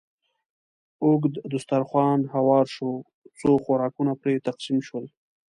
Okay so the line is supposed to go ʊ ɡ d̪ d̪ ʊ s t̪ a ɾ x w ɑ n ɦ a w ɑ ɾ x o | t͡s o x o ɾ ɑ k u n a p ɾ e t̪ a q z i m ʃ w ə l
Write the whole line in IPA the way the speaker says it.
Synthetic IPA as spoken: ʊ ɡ d̪ d̪ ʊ s t̪ a ɾ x w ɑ n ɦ a w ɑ ɾ ʃ o | t͡s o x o ɾ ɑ k u n a p ɾ e t̪ a q s i m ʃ w ə l